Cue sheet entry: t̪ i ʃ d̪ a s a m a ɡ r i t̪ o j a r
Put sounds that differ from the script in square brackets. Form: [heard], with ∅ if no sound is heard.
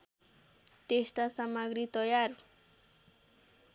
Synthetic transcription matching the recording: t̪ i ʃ [t̪] a s a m a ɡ [ɾ] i t̪ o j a [ɾ]